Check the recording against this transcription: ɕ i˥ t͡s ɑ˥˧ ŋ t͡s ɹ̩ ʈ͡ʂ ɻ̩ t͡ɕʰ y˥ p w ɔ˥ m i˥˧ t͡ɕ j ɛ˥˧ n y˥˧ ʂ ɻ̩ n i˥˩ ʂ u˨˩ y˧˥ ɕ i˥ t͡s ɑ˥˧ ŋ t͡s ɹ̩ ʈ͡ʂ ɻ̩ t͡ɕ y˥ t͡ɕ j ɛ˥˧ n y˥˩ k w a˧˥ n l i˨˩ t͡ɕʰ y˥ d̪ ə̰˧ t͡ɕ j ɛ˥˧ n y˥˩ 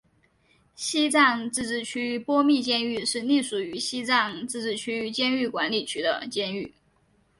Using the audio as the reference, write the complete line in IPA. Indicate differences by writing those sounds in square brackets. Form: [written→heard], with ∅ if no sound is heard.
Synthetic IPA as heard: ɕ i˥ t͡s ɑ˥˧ ŋ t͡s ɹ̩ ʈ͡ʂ ɻ̩ t͡ɕʰ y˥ p w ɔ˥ m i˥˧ t͡ɕ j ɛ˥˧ n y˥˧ ʂ ɻ̩ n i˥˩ ʂ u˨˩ y˧˥ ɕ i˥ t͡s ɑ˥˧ ŋ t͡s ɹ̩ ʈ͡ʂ ɻ̩ [t͡ɕ→t͡ɕʰ] y˥ t͡ɕ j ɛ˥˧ n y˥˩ k w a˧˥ n l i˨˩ t͡ɕʰ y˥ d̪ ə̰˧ t͡ɕ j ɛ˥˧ n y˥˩